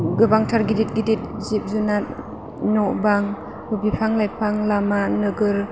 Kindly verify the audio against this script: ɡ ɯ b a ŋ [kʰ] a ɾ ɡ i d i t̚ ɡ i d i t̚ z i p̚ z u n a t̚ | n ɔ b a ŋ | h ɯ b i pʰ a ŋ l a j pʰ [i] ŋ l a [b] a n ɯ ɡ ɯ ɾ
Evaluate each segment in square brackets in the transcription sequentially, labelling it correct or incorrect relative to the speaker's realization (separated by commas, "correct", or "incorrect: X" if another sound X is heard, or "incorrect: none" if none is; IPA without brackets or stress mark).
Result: incorrect: tʰ, incorrect: a, incorrect: m